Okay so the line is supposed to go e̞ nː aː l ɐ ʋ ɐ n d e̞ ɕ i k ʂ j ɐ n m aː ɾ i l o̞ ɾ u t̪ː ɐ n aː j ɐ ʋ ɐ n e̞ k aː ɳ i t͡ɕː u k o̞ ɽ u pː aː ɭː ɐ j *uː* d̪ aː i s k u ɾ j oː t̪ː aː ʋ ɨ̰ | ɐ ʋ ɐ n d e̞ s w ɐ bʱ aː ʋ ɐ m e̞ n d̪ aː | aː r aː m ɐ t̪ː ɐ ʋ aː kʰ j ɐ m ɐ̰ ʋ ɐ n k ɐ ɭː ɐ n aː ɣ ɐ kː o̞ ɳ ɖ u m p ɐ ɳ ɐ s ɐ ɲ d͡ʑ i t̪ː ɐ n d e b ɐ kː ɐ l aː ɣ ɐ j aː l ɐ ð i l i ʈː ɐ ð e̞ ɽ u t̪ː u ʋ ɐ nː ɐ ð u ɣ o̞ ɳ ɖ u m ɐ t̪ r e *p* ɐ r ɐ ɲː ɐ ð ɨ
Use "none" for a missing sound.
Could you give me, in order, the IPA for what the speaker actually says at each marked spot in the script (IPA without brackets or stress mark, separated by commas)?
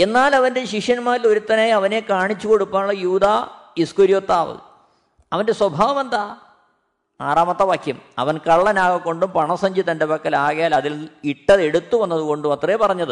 uː, p